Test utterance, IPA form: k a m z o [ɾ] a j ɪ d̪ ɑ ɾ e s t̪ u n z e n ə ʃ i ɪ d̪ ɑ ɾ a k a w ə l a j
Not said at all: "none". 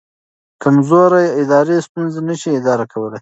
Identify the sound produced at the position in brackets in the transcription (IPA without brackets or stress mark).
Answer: ɾ